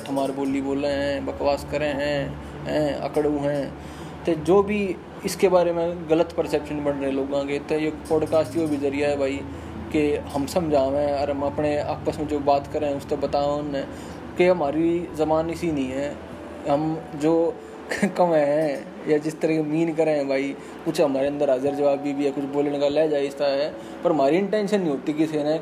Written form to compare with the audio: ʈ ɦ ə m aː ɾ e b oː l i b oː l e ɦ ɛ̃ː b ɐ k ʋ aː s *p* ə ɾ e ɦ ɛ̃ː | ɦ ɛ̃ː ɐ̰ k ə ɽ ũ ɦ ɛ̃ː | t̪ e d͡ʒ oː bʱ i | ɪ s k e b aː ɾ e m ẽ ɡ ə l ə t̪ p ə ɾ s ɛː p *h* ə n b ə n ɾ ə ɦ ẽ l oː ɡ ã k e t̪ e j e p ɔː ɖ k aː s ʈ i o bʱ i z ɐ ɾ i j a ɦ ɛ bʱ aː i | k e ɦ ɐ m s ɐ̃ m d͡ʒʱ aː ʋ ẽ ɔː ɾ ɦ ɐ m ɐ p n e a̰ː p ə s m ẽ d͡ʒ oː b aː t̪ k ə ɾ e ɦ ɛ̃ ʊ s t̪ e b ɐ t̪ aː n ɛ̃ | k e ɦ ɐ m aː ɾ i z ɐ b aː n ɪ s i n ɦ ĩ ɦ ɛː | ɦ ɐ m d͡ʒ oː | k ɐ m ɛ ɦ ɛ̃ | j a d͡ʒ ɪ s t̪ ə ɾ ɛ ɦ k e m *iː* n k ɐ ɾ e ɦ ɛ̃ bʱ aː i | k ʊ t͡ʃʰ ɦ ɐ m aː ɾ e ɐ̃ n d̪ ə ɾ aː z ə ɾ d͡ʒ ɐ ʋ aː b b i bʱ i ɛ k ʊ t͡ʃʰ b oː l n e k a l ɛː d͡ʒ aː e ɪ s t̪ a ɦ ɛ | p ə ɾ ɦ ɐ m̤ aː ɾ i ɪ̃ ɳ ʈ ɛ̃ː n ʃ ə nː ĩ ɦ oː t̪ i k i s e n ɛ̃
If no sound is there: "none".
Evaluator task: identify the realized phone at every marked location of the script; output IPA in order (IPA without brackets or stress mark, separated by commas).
k, ʃ, iː